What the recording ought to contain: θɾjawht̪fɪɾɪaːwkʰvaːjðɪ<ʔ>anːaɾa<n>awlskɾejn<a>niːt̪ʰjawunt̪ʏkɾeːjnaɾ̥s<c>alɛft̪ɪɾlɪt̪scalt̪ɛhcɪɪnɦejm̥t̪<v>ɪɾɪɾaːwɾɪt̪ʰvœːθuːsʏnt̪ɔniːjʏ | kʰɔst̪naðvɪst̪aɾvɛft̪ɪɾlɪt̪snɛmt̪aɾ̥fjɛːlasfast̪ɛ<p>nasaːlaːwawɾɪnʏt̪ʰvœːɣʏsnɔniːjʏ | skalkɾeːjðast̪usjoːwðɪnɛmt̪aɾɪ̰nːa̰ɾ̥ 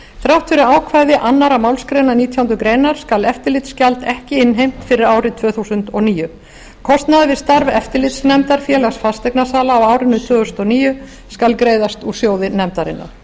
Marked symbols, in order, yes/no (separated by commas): yes, no, yes, no, no, no